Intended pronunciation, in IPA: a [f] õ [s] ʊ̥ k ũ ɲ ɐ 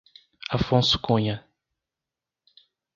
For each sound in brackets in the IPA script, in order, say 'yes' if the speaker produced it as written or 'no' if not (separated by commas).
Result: yes, yes